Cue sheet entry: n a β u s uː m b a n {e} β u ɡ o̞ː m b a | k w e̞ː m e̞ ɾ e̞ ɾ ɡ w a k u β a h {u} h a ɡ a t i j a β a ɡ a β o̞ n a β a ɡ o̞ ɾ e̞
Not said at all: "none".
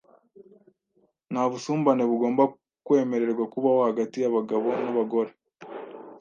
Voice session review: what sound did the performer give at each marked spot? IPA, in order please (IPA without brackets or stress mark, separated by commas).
e, o